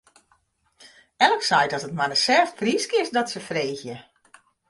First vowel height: mid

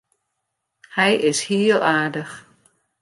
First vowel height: mid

